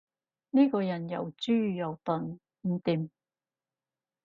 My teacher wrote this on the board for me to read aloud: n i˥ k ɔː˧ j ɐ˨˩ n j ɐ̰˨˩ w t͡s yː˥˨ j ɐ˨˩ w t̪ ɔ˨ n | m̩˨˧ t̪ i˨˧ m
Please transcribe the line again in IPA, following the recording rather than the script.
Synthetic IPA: n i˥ k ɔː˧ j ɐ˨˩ n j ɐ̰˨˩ w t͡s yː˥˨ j ɐ˨˩ w t̪ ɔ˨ n | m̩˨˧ t̪ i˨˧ m

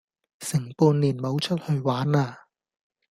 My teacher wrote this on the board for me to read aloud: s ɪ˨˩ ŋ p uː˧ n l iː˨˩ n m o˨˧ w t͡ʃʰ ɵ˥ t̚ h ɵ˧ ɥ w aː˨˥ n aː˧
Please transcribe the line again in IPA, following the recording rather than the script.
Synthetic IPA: s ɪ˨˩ ŋ p uː˧ n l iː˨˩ n m o˨˧ w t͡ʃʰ ɵ˥ t̚ h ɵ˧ ɥ w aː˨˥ n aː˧

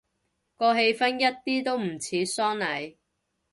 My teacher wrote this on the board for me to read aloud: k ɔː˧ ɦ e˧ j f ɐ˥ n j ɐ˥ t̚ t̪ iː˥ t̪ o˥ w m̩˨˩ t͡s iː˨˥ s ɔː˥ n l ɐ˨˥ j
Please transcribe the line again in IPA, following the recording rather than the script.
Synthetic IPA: k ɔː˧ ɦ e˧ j f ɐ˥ n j ɐ˥ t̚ t̪ iː˥ t̪ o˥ w m̩˨˩ t͡sʰ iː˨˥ s ɔː˥ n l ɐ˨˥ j

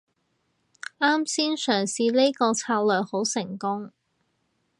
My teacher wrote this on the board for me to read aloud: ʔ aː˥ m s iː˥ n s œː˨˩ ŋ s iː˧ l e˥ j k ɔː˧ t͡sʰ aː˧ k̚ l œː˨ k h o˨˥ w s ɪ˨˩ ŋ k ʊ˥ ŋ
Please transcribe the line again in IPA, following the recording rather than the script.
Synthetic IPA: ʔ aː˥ m s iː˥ n s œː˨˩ ŋ s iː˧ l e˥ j k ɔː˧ t͡sʰ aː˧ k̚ l œː˨ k h o˨˥ w s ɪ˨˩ ŋ k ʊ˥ ŋ

